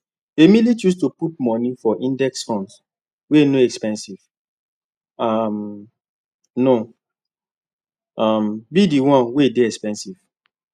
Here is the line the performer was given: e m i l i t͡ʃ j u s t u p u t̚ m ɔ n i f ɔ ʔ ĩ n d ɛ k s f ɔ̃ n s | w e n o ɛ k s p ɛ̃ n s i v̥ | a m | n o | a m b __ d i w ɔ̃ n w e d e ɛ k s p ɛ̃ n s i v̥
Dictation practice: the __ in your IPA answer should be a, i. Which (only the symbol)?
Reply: i